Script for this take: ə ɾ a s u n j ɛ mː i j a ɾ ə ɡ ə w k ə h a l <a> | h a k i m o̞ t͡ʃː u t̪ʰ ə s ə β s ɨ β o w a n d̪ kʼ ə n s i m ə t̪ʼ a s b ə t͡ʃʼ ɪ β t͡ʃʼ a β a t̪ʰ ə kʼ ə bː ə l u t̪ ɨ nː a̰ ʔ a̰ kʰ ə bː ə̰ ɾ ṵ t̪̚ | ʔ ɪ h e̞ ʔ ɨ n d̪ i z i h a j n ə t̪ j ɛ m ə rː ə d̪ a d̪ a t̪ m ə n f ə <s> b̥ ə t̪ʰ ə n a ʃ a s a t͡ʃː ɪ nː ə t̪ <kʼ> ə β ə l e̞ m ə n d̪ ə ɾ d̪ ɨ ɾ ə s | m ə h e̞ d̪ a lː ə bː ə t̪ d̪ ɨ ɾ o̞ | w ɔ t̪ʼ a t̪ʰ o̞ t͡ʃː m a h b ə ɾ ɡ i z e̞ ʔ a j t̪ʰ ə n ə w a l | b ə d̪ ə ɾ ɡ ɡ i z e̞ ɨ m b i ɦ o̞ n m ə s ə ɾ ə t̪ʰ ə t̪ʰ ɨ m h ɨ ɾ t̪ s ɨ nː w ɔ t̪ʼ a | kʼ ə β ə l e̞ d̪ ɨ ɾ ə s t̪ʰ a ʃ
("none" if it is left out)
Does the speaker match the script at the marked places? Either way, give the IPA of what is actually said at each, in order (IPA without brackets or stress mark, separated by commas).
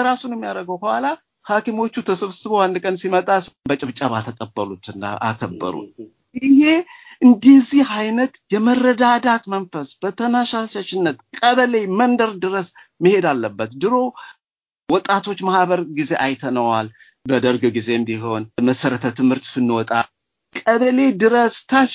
a, s, kʼ